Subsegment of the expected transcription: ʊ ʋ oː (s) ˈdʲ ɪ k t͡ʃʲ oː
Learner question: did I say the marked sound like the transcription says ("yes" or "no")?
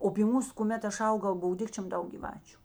no